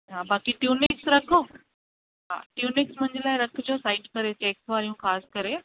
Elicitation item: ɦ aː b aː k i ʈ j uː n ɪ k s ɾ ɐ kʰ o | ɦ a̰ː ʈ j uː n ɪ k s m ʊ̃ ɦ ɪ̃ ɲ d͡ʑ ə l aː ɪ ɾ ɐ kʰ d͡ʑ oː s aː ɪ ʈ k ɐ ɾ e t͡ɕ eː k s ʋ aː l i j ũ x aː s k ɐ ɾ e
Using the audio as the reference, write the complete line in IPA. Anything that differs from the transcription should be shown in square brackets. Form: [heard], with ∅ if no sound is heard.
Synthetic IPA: ɦ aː b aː k i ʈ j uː n ɪ k s ɾ ɐ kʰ o | ɦ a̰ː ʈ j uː n ɪ k s m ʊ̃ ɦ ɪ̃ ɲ d͡ʑ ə l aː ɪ ɾ ɐ kʰ d͡ʑ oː s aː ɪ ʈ k ɐ ɾ e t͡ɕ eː k s ʋ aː [ɾ] i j ũ x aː s k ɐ ɾ e